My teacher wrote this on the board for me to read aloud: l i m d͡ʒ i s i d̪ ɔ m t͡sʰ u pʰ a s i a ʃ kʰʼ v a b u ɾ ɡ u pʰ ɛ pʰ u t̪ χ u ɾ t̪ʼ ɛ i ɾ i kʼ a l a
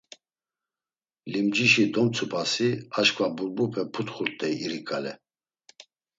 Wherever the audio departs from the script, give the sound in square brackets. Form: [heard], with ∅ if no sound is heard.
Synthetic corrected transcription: l i m d͡ʒ i [ʃ] i d̪ ɔ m t͡sʰ u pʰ a s i a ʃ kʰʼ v a b u ɾ [b] u pʰ ɛ pʰ u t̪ χ u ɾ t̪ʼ ɛ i ɾ i kʼ a l [ɛ]